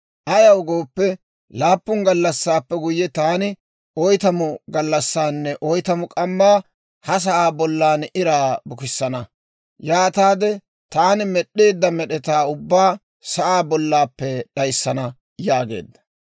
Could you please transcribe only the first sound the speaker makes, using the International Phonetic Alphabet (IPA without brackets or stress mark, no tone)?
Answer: ʔ